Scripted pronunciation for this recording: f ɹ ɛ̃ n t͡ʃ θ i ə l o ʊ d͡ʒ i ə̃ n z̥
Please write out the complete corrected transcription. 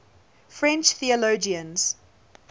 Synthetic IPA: f ɹ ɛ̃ n t͡ʃ θ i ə l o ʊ d͡ʒ i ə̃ n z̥